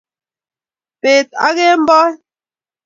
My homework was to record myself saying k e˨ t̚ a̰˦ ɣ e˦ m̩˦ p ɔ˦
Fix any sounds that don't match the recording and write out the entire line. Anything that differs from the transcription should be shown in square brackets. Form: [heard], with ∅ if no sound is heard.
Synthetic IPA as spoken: [p] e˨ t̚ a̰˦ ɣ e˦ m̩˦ [b] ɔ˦